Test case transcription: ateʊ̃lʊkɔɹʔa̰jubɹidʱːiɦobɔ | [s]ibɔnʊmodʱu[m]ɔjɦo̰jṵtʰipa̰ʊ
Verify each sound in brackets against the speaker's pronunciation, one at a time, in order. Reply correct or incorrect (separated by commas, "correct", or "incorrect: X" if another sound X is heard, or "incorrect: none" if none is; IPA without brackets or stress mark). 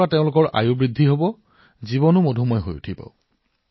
incorrect: z, correct